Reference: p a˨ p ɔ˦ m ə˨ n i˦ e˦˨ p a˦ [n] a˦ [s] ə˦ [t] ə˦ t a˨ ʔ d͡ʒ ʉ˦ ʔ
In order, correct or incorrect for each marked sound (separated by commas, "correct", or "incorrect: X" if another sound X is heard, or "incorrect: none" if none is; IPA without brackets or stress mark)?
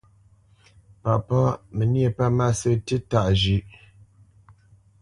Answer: incorrect: m, correct, correct